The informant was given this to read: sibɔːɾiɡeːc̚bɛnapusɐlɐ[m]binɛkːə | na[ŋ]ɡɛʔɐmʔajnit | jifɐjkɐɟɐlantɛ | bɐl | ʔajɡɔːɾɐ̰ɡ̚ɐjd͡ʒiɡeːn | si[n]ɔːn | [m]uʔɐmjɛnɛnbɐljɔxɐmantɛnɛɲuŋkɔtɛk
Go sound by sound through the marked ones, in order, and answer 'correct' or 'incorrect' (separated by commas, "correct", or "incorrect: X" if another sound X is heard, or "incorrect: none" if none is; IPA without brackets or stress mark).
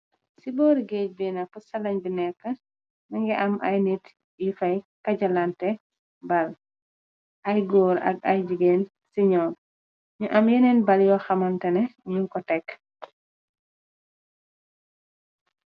incorrect: ɲ, correct, incorrect: ɲ, incorrect: ɲ